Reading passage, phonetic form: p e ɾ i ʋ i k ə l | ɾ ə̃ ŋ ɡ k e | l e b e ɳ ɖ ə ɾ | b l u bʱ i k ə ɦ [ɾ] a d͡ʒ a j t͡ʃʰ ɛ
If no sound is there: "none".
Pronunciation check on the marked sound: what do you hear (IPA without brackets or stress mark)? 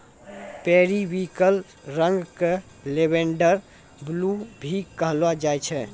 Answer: l